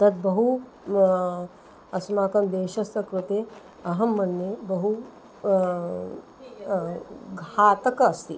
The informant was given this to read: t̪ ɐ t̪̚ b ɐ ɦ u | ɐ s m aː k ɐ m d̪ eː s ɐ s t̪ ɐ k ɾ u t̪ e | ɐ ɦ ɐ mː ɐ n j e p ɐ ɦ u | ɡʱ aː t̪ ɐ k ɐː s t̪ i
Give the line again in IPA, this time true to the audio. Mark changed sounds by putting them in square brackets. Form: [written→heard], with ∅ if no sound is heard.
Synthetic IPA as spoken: t̪ ɐ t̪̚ b ɐ ɦ u | ɐ s m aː k ɐ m d̪ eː [s→ʃ] ɐ s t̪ ɐ k ɾ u t̪ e | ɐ ɦ ɐ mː ɐ n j e [p→b] ɐ ɦ u | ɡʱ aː t̪ ɐ k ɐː s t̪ i